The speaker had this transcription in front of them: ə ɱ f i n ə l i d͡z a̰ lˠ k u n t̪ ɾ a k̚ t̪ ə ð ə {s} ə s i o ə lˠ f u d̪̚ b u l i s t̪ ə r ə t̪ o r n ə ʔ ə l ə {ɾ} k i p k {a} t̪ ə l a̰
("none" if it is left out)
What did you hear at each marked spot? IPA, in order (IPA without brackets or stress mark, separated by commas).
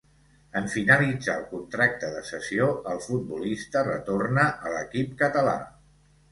s, none, ə